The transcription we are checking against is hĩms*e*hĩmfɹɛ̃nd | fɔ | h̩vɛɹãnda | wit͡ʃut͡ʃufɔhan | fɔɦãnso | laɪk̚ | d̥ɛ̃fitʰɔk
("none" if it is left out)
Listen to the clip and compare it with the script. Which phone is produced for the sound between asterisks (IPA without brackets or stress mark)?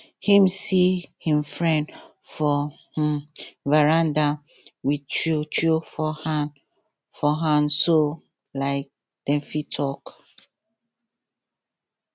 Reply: i